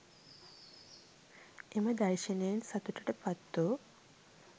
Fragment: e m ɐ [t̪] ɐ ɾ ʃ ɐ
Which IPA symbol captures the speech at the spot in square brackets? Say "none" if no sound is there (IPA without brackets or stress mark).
d̪